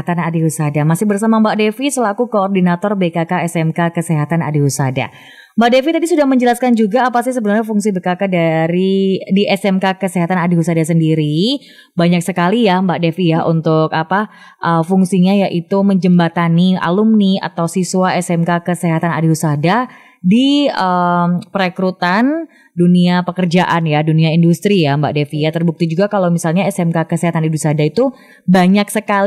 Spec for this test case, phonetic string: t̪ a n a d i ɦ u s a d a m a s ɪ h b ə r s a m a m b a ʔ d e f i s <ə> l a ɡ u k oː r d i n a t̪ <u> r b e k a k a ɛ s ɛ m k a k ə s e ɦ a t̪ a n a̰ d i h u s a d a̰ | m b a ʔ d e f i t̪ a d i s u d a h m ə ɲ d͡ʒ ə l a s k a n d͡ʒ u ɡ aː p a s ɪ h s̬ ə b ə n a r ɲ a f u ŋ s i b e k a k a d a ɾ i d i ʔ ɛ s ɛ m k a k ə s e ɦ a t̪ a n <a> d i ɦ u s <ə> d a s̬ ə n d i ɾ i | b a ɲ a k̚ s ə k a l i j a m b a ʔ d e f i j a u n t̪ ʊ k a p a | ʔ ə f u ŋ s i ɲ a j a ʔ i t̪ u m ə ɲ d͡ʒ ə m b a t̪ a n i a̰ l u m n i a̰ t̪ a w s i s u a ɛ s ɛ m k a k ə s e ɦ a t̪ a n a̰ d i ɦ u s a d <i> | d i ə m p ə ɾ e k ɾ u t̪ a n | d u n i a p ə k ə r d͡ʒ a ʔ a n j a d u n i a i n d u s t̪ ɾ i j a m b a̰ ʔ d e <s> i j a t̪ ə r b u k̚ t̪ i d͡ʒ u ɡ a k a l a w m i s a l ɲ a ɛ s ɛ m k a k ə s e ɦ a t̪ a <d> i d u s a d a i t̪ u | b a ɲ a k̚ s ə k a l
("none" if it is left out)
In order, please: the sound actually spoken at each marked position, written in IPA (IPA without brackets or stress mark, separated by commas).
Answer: ə, ɔ, a, a, a, f, n